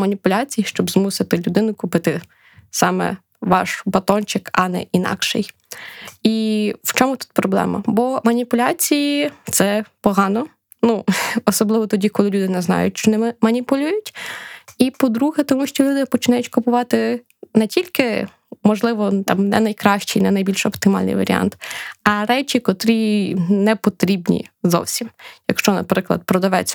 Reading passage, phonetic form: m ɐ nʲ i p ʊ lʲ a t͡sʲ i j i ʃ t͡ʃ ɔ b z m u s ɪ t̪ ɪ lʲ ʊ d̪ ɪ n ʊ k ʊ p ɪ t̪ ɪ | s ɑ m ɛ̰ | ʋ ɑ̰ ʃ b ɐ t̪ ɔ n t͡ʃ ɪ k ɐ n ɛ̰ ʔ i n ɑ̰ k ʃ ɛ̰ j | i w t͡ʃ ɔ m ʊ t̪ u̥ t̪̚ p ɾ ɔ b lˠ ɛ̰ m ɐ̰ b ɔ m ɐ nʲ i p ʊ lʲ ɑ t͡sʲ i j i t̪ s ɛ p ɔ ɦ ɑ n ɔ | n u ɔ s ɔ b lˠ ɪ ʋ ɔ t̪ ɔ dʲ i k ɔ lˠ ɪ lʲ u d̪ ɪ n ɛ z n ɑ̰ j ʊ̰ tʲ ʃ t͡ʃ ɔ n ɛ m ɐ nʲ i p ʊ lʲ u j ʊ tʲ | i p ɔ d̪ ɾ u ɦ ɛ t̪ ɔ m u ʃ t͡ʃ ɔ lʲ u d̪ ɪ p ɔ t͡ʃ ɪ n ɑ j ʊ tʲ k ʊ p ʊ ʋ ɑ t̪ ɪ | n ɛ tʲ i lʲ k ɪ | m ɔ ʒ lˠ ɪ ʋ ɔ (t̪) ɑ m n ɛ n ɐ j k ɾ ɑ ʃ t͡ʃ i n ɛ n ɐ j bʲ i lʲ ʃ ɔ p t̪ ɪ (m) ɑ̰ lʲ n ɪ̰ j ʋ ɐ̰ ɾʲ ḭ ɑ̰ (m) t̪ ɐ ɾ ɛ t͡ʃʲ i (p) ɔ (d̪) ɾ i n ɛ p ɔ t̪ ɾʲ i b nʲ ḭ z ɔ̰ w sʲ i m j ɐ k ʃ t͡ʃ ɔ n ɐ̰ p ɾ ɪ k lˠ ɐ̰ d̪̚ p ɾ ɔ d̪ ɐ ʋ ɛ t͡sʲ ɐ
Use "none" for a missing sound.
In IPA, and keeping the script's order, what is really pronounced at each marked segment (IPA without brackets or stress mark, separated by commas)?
t̪, m, n, k, t̪